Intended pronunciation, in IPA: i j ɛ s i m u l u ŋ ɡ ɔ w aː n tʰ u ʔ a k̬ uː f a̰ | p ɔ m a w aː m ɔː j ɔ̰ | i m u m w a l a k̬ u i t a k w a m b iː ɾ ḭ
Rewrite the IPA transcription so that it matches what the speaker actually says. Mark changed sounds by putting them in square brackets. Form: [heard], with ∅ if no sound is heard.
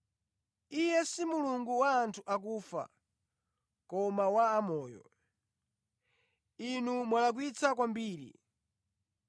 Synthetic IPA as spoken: i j ɛ s i m u l u ŋ ɡ [u] w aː n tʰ u ʔ a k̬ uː f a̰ | [k] ɔ m a w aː m ɔː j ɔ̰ | i [n] u m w a l a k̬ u i [t͡s] a k w a m b iː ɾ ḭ